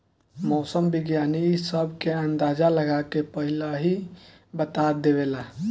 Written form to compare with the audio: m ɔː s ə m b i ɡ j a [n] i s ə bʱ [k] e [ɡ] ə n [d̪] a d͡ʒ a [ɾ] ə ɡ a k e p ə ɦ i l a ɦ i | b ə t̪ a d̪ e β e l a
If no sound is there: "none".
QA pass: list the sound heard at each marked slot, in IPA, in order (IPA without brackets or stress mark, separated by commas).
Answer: n, k, none, d̪, l